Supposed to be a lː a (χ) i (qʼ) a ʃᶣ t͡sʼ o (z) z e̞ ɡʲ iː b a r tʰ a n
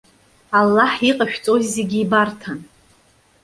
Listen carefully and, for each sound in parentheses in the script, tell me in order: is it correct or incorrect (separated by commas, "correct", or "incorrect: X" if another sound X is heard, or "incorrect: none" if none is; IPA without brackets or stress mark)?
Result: incorrect: ħ, correct, correct